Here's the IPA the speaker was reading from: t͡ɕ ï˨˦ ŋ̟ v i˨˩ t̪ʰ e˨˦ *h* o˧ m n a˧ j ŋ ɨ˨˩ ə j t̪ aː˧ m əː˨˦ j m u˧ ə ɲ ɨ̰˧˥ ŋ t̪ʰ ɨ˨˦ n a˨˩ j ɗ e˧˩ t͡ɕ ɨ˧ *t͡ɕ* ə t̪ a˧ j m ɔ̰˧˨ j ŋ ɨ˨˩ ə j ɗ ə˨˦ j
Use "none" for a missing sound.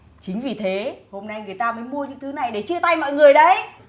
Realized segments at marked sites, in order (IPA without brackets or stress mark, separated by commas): h, none